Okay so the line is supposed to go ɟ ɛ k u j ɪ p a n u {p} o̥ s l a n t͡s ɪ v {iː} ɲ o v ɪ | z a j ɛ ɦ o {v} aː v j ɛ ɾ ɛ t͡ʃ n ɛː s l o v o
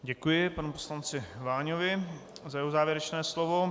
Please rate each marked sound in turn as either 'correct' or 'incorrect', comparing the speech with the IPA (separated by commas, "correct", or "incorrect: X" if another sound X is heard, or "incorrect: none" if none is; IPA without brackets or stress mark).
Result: correct, incorrect: aː, incorrect: z